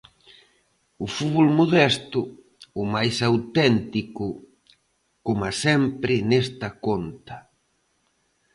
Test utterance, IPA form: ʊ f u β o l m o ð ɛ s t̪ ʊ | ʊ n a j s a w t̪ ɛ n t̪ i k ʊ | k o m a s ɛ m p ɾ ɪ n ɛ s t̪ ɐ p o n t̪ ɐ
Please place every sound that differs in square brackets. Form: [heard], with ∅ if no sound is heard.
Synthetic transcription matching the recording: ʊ f u β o l m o ð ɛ s t̪ ʊ | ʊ [m] a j s a w t̪ ɛ n t̪ i k ʊ | k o m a s ɛ m p ɾ ɪ n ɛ s t̪ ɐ [k] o n t̪ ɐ